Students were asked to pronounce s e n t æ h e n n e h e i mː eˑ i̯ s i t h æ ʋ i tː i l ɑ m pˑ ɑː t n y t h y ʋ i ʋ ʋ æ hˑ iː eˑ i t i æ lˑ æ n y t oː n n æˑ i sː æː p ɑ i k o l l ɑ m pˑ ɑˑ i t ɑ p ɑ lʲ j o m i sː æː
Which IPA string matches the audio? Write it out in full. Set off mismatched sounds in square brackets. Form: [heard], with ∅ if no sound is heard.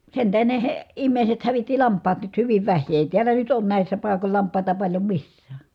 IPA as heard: s e n t æ h e n n e h e i mː eˑ i̯ s [e] t h æ ʋ i tː i l ɑ m pˑ ɑː t n y t h y ʋ i ʋ ʋ æ hˑ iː eˑ i t i æ lˑ æ n y t oː n n æˑ i sː [æ] p ɑ i k o l l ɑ m pˑ ɑˑ i t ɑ p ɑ lʲ j o m i sː æː